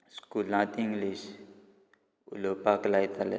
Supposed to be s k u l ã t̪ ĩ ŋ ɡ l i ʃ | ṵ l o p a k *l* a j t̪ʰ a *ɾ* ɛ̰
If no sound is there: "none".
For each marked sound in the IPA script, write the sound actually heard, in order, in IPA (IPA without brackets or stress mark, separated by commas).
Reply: l, l